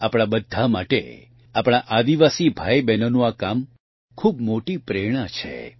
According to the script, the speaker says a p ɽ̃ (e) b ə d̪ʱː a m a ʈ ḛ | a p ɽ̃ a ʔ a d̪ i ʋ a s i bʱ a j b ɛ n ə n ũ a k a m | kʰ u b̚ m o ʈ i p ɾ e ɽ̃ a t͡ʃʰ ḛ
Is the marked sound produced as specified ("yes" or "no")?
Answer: no